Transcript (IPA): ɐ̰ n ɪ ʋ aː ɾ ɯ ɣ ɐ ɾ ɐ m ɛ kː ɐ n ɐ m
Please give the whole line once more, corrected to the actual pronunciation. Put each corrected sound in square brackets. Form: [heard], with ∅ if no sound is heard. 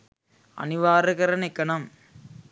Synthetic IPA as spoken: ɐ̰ n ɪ ʋ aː ɾ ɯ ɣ ɐ ɾ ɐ [n] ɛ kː ɐ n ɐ m